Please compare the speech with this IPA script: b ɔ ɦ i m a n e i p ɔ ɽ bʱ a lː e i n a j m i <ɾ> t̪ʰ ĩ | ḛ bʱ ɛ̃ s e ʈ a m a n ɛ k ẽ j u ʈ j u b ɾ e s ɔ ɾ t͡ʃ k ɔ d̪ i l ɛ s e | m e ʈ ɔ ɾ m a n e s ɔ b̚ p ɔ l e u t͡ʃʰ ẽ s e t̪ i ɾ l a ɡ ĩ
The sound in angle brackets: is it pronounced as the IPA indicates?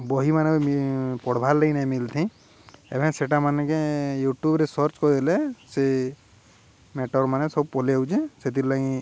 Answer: no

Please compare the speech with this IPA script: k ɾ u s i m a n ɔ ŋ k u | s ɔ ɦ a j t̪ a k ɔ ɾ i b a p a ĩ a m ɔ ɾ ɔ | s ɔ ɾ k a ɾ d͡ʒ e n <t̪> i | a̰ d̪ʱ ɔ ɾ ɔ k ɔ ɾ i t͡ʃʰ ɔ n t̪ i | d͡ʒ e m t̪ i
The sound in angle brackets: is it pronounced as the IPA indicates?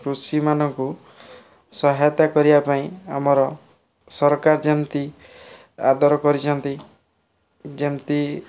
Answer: yes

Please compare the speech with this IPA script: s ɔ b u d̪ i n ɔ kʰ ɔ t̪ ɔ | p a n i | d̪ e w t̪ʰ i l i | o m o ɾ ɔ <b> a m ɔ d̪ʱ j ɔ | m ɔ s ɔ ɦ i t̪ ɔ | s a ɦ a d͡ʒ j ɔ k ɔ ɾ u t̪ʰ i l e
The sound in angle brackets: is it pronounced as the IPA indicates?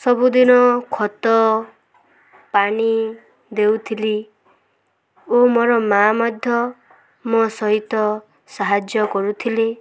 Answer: no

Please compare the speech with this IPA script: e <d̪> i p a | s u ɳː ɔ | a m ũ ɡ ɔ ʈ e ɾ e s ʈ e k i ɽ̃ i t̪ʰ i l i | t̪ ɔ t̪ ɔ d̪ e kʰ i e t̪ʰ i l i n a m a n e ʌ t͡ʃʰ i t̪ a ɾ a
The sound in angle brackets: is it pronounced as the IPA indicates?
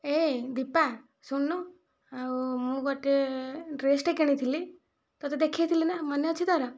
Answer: yes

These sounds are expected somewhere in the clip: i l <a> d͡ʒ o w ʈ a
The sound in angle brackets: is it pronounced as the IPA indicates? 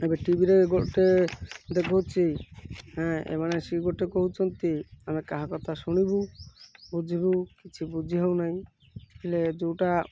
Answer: no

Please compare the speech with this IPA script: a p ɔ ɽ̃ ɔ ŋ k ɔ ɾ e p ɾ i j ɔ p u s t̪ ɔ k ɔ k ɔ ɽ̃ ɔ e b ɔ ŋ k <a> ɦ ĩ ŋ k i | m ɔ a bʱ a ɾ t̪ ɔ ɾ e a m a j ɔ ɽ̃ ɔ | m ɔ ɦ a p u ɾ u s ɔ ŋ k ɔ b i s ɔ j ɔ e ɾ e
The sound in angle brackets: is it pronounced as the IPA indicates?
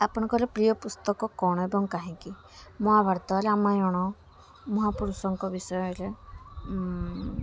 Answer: yes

